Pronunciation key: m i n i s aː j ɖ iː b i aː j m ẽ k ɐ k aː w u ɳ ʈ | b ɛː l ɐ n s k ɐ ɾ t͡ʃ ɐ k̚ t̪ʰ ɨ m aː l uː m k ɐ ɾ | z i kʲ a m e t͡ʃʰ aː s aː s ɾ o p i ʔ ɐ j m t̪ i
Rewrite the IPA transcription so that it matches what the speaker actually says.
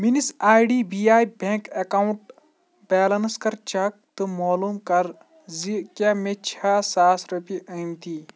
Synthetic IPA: m i n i s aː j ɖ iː b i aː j b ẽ k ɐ k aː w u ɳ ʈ | b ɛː l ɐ n s k ɐ ɾ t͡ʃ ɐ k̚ t̪ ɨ m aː l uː m k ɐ ɾ | z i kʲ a m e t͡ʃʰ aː s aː s ɾ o p i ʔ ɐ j m t̪ i

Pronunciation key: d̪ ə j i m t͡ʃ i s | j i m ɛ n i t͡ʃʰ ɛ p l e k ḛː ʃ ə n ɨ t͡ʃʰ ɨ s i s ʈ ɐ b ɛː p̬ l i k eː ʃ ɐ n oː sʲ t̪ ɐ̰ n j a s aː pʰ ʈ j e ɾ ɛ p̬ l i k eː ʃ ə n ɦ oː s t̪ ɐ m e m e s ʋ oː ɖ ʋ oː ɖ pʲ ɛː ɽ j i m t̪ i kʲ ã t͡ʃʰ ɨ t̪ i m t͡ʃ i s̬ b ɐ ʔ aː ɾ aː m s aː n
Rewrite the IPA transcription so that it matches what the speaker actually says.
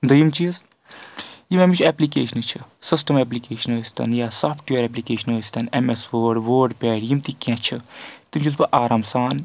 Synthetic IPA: d̪ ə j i m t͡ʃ i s | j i m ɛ m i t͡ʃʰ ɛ p l i k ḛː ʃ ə n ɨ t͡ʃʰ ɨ s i s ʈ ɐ m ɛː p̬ l i k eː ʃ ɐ n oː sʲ t̪ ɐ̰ n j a s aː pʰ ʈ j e ɾ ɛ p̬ l i k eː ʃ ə n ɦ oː s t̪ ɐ n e m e s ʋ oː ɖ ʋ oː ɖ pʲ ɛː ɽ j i m t̪ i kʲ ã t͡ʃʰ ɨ t̪ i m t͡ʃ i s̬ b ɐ ʔ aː ɾ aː m s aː n

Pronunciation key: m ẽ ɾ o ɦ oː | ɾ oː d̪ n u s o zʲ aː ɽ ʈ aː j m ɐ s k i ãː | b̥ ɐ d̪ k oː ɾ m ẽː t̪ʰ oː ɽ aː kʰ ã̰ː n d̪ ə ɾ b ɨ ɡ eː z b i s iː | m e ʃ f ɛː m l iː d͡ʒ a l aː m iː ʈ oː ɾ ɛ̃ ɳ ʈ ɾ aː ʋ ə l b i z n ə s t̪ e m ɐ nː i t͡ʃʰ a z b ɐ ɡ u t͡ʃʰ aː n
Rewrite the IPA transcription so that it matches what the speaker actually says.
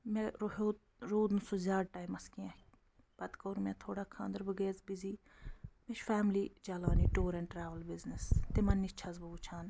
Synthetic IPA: m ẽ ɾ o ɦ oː | ɾ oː d̪ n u s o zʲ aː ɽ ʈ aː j m ɐ s k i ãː | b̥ ɐ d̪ k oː ɾ m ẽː t̪ʰ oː ɽ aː kʰ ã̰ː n d̪ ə ɾ b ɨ ɡ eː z b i z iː | m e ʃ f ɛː m l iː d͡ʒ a l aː n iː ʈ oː ɾ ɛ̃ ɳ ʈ ɾ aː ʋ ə l b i z n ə s t̪ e m ɐ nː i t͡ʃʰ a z b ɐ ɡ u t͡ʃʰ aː n

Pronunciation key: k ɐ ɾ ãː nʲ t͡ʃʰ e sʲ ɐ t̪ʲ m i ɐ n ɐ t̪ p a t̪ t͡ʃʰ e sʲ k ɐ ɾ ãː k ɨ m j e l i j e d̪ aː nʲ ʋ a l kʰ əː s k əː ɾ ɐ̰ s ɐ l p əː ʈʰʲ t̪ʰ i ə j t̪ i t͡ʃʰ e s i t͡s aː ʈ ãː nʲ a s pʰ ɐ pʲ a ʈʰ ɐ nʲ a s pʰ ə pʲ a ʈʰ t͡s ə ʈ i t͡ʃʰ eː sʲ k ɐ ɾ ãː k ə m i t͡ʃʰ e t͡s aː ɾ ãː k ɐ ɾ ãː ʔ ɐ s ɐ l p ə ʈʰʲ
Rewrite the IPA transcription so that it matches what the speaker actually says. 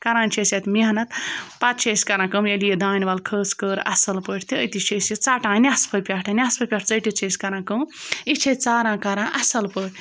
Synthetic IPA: k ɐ ɾ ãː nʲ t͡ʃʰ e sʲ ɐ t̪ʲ m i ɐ n ɐ t̪ p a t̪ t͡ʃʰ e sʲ k ɐ ɾ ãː k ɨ m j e l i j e d̪ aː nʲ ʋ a l kʰ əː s k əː ɾ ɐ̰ s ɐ l p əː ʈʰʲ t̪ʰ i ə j t̪ i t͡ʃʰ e s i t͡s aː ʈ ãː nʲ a s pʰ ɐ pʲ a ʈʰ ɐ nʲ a s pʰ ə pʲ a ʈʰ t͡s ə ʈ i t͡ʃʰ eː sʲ k ɐ ɾ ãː k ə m i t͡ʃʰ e t͡s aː ɾ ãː k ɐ ɾ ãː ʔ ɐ s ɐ l p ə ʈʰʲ

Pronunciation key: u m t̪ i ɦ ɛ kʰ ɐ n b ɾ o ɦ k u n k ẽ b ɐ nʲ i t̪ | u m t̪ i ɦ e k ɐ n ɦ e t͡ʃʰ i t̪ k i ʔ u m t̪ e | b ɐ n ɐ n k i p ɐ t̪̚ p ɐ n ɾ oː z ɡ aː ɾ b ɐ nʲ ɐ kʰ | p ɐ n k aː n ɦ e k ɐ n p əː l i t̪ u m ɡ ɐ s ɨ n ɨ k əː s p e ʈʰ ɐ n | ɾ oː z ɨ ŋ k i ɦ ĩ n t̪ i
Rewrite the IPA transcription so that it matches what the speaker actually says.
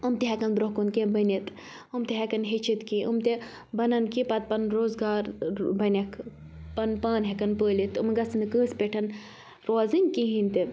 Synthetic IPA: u m t̪ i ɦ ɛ k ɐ n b ɾ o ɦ k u n k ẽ b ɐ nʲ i t̪ | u m t̪ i ɦ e k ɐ n ɦ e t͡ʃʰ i t̪ k i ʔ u m t̪ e | b ɐ n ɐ n k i p ɐ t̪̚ p ɐ n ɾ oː z ɡ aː ɾ b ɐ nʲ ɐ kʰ | p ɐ n p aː n ɦ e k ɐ n p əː l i t̪ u m ɡ ɐ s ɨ n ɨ k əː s p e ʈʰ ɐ n | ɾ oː z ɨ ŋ k i ɦ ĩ n t̪ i

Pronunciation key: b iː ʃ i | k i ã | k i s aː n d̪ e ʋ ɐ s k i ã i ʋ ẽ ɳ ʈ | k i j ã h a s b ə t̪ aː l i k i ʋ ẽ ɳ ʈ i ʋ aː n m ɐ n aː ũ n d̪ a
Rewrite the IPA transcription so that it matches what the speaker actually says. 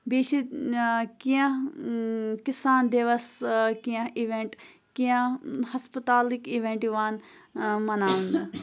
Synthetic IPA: b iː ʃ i | k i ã | k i s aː n d̪ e ʋ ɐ s k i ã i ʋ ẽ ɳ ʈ | k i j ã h ɐ s p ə t̪ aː l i k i ʋ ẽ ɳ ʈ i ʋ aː n m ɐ n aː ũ n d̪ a

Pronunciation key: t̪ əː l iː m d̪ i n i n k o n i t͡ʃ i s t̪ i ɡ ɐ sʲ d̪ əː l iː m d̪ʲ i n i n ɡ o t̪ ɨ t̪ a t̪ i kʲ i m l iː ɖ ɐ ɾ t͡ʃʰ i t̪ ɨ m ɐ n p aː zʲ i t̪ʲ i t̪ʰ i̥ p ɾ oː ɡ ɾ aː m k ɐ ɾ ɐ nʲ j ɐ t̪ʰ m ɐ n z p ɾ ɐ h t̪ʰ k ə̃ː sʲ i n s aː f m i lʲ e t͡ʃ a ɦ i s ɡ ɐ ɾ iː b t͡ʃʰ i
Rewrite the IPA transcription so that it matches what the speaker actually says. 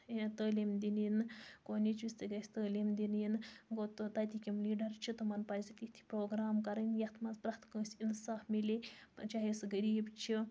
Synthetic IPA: t̪ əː l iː m d̪ i n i n k o n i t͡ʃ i s t̪ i ɡ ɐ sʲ t̪ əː l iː m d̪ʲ i n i n ɡ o t̪ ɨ t̪ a t̪ i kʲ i m l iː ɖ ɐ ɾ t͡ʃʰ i t̪ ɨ m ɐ n p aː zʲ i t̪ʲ i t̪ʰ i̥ p ɾ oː ɡ ɾ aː m k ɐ ɾ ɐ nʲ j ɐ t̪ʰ m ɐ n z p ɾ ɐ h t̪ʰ k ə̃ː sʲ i n s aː f m i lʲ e t͡ʃ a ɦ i s ɡ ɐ ɾ iː b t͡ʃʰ i

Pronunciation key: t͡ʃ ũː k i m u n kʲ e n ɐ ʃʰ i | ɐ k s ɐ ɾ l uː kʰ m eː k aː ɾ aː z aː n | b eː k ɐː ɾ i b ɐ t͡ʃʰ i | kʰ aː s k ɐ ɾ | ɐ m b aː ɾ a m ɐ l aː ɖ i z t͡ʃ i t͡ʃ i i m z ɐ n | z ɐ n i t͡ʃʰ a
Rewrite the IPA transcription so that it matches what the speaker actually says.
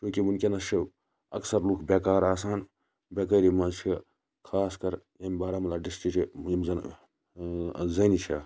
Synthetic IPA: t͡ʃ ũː k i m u n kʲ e n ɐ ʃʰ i | ɐ k s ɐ ɾ l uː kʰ b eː k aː ɾ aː s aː n | b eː k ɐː ɾ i m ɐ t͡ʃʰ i | kʰ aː s k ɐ ɾ | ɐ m b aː ɾ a m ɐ l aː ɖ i s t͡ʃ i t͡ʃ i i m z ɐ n | z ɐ n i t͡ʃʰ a

